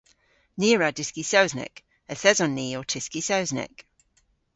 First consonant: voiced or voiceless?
voiced